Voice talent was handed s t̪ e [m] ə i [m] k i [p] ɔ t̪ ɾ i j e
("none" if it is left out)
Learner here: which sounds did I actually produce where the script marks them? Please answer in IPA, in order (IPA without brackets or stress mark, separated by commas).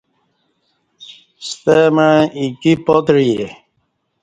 m, none, p